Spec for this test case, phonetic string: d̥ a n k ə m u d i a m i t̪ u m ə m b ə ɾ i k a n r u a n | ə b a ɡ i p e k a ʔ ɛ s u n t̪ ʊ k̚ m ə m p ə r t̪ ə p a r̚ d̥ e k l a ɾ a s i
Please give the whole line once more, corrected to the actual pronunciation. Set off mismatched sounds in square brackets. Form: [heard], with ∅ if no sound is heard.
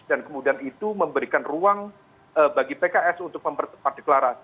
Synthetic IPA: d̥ a n k ə m u d i a [n] i t̪ u m ə m b ə ɾ i k a n r u a [ŋ] | ə b a ɡ i p e k a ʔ ɛ s u n t̪ ʊ k̚ m ə m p ə r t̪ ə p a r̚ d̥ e k l a ɾ a s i